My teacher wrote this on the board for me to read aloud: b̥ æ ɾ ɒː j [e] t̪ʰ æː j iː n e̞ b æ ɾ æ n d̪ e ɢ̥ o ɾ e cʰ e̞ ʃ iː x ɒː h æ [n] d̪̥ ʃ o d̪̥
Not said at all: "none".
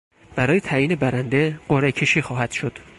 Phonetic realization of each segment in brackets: e, none

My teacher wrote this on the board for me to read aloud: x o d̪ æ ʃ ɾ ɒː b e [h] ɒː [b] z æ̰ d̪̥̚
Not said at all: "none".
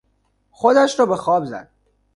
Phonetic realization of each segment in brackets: x, b

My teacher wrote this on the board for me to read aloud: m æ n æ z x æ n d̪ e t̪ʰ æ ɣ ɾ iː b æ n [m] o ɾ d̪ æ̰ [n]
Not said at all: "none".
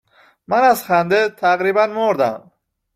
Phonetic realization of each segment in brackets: m, m

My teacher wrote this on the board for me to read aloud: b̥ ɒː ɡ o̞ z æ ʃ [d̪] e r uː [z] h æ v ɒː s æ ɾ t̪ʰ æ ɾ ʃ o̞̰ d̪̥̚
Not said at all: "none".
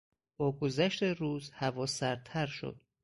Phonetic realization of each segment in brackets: t̪, z

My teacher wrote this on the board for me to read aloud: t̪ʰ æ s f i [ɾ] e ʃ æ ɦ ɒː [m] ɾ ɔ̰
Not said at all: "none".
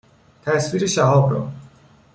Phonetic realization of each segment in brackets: ɾ, b

